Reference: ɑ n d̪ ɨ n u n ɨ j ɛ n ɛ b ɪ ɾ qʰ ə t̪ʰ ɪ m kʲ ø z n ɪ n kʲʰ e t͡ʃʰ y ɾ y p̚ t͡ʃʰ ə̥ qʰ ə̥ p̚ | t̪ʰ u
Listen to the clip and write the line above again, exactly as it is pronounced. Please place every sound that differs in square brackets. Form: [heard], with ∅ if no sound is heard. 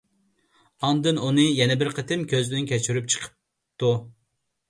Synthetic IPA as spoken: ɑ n d̪ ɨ n u n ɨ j ɛ n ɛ b ɪ ɾ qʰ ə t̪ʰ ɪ m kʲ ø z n ɪ n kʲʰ [ɛ] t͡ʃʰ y ɾ y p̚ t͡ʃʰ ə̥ qʰ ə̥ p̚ | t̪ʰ u